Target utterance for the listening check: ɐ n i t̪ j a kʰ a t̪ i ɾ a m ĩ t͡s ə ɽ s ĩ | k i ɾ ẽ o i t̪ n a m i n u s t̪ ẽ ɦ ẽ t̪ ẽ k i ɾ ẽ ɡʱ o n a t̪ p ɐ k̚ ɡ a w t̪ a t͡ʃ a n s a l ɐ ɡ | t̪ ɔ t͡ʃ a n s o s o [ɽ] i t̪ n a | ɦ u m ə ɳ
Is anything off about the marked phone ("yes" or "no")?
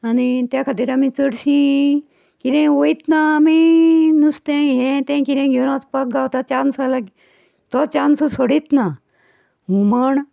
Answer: no